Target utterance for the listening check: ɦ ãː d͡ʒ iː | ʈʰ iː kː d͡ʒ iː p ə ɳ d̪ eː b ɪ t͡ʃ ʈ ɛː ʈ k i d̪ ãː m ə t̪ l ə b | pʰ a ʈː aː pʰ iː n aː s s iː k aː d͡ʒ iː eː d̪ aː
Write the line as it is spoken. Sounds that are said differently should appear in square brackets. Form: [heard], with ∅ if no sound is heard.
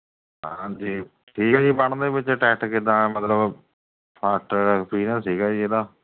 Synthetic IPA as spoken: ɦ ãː d͡ʒ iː | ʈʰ iː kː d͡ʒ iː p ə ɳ d̪ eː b ɪ t͡ʃ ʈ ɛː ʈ k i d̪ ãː m ə t̪ l ə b | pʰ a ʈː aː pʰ iː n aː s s iː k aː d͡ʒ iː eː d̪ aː

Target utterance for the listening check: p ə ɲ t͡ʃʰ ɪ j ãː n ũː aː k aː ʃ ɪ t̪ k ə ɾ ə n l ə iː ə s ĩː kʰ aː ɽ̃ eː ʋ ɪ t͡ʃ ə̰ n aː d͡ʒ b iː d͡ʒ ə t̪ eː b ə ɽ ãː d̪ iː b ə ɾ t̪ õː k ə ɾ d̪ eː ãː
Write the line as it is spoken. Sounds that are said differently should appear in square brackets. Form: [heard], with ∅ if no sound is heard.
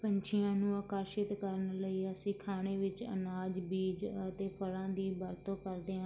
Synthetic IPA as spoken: p ə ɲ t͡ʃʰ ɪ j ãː n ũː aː k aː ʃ ɪ t̪ k ə ɾ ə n l ə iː ə s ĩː kʰ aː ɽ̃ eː ʋ ɪ t͡ʃ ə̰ n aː d͡ʒ b iː d͡ʒ ə t̪ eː [p] ə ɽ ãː d̪ iː b ə ɾ t̪ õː k ə ɾ d̪ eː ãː

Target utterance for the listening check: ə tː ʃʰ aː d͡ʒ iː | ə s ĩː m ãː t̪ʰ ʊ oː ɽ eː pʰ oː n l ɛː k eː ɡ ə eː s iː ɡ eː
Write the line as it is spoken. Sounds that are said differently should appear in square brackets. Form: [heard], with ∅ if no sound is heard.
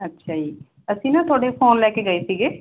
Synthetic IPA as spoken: ə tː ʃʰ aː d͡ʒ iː | ə s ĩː [n] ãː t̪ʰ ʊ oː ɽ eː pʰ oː n l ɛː k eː ɡ ə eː s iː ɡ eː

